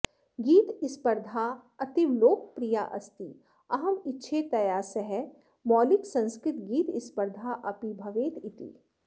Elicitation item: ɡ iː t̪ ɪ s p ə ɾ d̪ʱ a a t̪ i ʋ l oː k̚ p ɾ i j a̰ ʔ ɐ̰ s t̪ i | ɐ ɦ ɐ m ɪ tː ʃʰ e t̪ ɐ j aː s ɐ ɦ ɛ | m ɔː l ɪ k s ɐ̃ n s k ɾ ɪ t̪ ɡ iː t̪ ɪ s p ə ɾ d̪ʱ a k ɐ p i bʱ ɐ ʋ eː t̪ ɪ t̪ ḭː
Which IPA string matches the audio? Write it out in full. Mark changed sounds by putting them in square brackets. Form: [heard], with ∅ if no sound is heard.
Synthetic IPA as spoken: ɡ iː t̪ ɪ s p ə ɾ d̪ʱ a [ɐ] t̪ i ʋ l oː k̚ p ɾ i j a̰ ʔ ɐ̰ s t̪ i | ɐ ɦ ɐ m ɪ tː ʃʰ e t̪ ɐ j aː s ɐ ɦ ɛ | m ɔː l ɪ k s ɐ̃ n s k ɾ ɪ t̪ ɡ iː t̪ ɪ s p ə ɾ d̪ʱ a [ʔ] ɐ p i bʱ ɐ ʋ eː t̪ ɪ t̪ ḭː